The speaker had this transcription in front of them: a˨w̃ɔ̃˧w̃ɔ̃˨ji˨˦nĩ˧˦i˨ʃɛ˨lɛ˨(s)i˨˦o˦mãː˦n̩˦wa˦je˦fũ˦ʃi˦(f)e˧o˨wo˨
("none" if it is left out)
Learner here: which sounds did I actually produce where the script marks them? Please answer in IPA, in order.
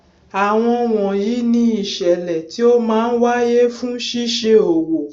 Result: t, ʃ

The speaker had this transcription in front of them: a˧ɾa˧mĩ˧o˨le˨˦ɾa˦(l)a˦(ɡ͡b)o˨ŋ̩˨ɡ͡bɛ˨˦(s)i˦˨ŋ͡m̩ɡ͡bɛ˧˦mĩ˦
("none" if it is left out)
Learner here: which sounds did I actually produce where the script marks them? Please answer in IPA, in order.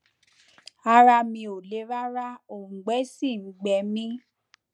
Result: ɾ, none, s

